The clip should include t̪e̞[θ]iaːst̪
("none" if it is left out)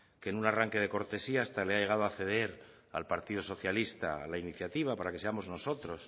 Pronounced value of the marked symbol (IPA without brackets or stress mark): s